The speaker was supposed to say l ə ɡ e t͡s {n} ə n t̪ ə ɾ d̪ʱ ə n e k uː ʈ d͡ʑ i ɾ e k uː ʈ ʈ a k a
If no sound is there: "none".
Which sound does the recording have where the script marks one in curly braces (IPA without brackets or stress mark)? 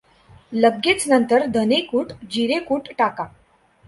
n